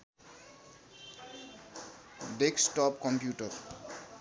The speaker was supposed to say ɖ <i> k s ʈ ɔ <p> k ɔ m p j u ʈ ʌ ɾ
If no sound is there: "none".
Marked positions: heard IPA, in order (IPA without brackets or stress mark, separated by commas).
e, p